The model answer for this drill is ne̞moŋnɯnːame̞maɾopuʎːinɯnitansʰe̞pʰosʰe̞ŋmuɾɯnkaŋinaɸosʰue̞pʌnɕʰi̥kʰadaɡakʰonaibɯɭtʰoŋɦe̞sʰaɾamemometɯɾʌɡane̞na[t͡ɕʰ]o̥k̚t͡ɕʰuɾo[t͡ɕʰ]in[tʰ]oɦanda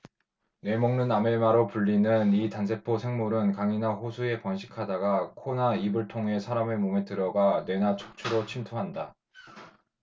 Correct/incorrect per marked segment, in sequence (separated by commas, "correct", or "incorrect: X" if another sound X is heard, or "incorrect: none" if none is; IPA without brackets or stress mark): correct, correct, correct